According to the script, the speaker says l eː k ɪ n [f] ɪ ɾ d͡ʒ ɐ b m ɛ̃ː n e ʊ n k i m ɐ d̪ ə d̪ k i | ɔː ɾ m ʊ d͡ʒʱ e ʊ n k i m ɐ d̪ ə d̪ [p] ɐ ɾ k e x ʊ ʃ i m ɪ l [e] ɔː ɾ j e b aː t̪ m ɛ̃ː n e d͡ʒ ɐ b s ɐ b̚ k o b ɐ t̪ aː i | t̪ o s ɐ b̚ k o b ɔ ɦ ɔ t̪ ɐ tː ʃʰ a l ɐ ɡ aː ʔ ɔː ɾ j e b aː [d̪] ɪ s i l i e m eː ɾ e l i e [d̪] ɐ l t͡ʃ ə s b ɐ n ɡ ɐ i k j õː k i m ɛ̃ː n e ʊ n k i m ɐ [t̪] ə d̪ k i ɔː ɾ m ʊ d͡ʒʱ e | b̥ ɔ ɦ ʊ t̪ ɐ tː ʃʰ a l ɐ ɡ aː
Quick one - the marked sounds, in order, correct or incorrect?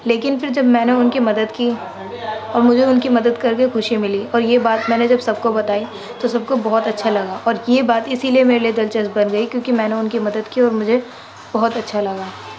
correct, incorrect: k, incorrect: i, incorrect: t̪, correct, incorrect: d̪

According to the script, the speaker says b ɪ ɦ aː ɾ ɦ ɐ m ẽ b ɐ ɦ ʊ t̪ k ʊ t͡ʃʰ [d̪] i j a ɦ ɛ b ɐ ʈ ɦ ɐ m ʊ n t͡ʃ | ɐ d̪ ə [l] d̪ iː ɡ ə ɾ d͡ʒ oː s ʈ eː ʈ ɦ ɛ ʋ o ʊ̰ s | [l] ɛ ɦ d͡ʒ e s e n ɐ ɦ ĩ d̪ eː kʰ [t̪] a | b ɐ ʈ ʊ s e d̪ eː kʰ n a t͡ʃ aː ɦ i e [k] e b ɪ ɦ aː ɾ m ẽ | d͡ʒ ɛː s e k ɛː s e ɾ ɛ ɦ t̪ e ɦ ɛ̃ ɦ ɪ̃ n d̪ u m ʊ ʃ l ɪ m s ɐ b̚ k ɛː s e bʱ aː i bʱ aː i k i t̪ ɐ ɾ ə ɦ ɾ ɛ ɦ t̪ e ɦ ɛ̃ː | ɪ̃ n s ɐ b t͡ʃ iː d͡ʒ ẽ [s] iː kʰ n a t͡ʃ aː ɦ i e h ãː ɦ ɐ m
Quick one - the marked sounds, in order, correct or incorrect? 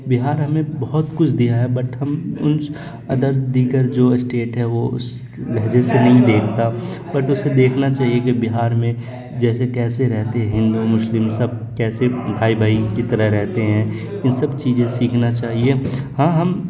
correct, incorrect: ɾ, correct, correct, correct, correct

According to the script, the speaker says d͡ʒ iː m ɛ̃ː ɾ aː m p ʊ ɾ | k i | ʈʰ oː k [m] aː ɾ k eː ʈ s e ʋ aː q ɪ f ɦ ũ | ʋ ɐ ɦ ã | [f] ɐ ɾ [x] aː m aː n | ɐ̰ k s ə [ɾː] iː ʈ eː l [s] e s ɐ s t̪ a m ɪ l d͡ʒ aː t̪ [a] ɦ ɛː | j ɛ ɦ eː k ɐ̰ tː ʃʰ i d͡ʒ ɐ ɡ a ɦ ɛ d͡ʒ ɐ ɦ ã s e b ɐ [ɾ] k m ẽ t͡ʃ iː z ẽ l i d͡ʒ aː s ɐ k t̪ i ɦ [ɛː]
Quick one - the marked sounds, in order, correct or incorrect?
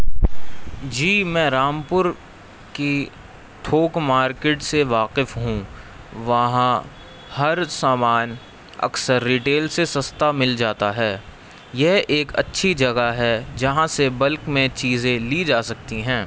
correct, incorrect: h, incorrect: s, correct, correct, correct, incorrect: l, incorrect: ɛ̃ː

